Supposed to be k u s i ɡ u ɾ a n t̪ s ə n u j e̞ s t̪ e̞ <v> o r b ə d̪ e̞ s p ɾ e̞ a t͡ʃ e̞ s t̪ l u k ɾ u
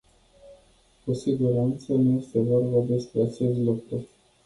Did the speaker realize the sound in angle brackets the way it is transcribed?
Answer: yes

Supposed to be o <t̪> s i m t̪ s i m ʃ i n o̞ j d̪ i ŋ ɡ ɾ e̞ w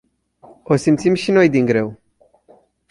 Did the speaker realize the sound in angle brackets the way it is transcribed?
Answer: no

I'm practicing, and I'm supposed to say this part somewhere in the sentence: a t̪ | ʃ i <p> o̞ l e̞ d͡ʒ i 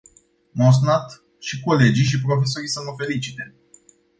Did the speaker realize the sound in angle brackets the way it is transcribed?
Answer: no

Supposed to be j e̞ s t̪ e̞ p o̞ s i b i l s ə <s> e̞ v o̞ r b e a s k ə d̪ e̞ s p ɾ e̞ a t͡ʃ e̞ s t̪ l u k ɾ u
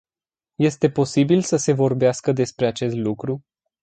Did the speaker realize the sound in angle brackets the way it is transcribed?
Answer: yes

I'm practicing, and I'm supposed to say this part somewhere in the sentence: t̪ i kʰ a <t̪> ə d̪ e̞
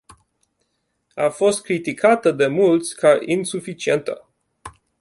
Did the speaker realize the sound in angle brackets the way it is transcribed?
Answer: yes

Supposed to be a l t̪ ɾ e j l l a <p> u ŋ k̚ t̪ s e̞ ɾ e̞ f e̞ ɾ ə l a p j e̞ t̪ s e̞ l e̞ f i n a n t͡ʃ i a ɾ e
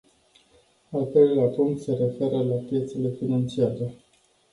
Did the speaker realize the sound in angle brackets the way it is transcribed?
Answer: yes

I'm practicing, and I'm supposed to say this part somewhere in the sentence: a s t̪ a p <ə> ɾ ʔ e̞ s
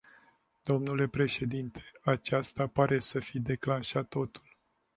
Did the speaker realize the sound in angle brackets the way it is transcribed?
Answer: no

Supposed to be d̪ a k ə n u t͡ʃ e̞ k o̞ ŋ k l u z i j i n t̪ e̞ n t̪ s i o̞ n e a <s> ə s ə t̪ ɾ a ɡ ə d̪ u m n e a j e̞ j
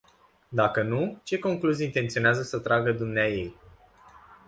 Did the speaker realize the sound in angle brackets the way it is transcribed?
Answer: no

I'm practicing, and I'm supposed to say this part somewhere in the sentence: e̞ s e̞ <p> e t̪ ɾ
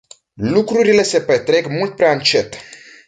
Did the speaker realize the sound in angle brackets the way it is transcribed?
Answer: yes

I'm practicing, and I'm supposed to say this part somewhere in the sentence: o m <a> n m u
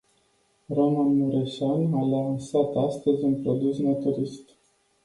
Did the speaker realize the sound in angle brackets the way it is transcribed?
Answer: yes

